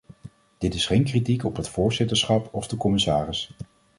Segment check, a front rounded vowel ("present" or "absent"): absent